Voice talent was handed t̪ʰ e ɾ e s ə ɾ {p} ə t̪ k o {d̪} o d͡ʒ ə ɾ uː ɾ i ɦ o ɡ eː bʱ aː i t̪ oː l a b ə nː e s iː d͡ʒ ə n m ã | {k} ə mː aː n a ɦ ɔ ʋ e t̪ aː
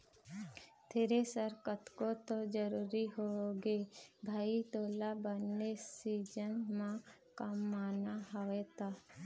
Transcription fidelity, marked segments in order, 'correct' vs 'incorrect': incorrect: k, incorrect: t̪, correct

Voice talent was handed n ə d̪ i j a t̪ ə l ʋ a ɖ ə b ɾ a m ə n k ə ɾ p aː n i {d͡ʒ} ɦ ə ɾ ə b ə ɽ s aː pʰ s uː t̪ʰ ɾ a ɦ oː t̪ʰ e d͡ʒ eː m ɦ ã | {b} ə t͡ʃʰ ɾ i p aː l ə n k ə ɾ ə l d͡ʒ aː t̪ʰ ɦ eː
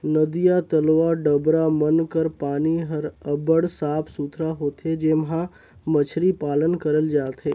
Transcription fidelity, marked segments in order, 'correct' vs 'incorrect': incorrect: none, incorrect: m

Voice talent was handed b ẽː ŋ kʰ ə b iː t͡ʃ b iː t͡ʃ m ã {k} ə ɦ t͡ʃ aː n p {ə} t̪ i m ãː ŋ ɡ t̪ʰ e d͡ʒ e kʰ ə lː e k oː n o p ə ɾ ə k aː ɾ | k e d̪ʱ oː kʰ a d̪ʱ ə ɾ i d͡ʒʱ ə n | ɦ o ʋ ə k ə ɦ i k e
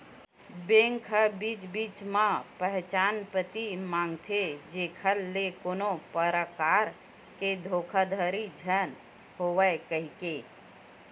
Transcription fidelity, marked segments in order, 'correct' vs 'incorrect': incorrect: p, correct

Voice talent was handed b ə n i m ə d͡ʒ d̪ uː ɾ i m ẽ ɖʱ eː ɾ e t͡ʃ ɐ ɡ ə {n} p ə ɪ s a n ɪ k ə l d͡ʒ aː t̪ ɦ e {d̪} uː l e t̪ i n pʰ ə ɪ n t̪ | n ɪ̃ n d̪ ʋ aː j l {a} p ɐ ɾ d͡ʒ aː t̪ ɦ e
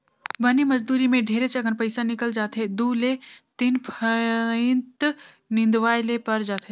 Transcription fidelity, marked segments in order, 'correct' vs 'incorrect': correct, correct, incorrect: e

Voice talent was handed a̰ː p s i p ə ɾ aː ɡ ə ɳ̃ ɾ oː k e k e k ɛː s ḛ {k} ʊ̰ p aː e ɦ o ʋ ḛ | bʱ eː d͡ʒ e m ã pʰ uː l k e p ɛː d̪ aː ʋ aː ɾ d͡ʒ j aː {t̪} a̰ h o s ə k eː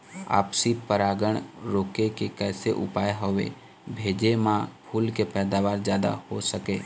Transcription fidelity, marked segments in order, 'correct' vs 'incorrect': incorrect: ʔ, incorrect: d̪

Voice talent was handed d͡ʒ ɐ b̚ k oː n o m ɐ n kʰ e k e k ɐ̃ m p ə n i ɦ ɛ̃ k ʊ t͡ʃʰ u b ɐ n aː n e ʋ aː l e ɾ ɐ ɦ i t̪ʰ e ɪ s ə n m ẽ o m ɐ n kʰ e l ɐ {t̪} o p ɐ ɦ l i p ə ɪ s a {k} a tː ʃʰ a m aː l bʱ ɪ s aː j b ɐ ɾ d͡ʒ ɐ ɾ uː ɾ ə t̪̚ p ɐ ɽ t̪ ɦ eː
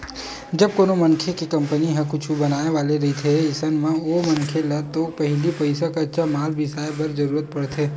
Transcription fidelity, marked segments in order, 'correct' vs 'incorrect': correct, correct

